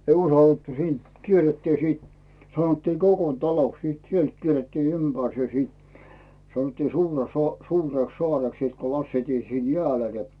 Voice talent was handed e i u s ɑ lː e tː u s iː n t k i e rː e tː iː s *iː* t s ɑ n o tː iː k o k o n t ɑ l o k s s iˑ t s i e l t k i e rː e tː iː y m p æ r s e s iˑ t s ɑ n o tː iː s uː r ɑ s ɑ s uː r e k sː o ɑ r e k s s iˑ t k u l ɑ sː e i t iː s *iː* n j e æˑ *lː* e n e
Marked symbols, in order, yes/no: yes, yes, no

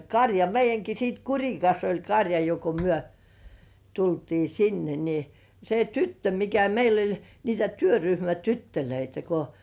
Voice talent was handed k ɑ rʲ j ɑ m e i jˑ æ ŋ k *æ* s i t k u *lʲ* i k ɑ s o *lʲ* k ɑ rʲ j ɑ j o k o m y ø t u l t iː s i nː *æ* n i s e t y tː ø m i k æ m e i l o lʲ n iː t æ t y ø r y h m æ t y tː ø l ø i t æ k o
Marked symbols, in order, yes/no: no, no, yes, no

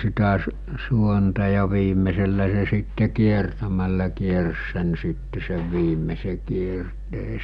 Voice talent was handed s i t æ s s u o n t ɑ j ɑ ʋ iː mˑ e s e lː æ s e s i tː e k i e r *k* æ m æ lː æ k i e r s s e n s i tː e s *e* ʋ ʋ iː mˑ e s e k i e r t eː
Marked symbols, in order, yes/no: no, yes

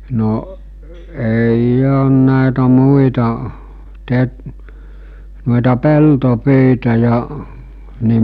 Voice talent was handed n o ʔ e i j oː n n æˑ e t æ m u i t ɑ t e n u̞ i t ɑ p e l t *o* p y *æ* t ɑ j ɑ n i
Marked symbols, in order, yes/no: yes, no

